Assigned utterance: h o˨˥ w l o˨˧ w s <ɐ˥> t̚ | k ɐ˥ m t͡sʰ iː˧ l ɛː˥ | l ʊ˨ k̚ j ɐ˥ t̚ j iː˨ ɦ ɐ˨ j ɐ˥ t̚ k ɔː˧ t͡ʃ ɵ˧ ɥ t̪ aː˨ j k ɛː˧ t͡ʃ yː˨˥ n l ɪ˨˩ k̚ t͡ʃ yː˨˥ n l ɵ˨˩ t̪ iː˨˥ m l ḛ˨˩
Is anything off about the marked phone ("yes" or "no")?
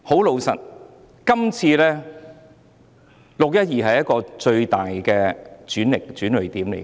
yes